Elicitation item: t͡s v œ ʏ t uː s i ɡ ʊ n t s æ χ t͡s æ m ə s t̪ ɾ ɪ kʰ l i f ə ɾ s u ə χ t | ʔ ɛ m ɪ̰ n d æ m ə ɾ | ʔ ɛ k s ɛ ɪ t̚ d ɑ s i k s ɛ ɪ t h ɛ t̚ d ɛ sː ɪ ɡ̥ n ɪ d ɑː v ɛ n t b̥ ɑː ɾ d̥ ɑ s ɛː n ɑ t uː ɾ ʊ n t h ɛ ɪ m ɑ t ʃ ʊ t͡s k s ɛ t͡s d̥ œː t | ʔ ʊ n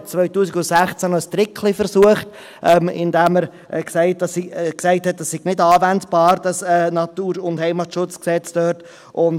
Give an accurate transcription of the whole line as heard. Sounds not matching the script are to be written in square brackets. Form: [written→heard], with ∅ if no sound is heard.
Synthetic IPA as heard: t͡s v œ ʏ t uː s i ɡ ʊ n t s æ χ t͡s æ [m→n] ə s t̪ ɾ ɪ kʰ l i f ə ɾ s u ə χ t | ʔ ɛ m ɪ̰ n d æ m ə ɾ | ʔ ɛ k s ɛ ɪ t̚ d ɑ s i k s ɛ ɪ t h ɛ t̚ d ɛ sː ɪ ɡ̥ n ɪ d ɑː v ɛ n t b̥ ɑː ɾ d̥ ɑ s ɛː n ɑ t uː ɾ ʊ n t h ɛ ɪ m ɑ t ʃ ʊ t͡s k s ɛ t͡s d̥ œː t | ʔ ʊ n